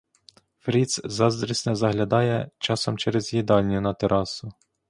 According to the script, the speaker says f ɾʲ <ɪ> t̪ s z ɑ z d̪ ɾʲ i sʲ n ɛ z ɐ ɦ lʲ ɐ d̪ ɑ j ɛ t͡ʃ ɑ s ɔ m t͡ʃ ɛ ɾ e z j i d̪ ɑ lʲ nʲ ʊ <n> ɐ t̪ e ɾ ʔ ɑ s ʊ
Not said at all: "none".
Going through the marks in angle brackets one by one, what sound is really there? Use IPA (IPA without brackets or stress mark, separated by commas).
i, n